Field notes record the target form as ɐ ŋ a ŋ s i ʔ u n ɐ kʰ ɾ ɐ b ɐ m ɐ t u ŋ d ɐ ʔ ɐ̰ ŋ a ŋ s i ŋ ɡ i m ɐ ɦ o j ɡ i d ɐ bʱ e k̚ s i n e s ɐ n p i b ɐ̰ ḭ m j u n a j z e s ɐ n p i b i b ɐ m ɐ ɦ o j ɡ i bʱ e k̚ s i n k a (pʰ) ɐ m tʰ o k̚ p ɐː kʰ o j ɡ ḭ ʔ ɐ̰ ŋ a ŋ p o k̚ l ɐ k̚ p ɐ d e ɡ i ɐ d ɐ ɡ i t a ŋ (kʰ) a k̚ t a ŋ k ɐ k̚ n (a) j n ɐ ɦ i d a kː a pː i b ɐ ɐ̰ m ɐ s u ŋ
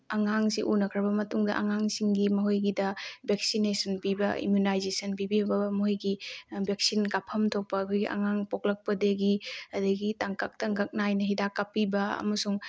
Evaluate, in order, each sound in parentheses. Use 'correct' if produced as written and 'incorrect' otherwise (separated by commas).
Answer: correct, incorrect, correct